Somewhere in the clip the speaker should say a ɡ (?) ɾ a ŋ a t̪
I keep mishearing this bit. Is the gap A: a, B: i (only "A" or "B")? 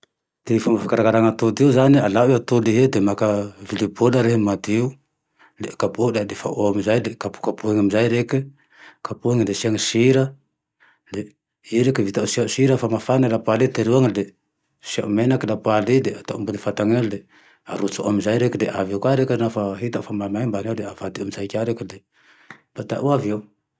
A